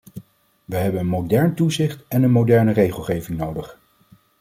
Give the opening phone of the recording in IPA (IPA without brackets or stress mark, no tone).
ʋ